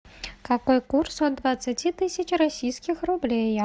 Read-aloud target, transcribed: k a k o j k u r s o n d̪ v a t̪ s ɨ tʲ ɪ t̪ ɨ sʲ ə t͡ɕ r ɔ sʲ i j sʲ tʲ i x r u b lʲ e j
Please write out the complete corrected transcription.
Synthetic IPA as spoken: k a k o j k u r s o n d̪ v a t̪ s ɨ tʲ i t̪ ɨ sʲ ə t͡ɕ r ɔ sʲ i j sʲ kʲ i x r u b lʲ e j